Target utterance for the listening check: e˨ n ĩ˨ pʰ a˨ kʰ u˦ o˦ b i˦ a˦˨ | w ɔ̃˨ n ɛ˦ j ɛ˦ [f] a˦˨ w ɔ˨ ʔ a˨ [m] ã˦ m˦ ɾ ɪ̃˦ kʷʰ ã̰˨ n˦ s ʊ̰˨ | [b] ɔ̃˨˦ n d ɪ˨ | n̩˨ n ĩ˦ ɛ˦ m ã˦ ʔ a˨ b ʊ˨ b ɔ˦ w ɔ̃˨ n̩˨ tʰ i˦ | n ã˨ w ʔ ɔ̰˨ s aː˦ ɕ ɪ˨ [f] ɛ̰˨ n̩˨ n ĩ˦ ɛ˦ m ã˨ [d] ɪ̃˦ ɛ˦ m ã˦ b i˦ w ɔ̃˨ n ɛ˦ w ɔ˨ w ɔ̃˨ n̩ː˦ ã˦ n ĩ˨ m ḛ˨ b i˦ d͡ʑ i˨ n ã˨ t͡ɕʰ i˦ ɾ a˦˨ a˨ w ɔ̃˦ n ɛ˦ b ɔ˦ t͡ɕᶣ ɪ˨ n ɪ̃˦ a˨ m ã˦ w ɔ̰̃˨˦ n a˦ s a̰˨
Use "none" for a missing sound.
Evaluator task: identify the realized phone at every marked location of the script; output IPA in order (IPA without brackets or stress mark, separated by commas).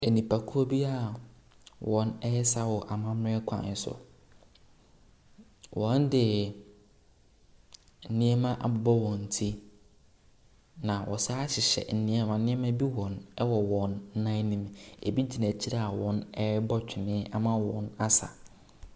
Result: s, m, w, ɕ, n